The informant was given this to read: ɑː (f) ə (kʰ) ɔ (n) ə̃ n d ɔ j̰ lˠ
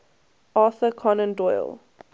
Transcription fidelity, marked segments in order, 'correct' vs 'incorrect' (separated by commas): incorrect, correct, correct